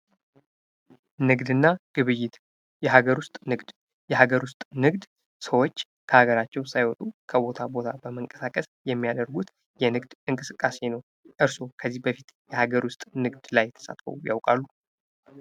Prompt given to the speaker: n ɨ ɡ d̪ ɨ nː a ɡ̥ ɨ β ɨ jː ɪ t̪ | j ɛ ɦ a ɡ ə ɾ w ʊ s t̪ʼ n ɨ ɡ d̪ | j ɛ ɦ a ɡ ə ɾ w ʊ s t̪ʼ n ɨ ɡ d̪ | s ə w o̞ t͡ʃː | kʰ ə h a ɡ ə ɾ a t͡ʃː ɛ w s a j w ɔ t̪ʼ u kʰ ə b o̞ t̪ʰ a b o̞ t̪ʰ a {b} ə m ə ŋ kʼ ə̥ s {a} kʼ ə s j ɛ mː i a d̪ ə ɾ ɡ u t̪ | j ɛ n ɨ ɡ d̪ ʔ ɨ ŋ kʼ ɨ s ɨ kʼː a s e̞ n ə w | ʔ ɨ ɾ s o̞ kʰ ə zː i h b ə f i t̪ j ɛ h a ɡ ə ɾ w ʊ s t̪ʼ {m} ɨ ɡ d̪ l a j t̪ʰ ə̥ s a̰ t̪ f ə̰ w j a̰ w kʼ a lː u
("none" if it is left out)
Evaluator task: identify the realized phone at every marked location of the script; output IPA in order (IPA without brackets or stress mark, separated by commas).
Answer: b, a, n